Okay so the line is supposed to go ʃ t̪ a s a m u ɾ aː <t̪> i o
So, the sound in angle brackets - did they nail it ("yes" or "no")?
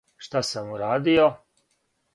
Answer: no